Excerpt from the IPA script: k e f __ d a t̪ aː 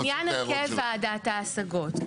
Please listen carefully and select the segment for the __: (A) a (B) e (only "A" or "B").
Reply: A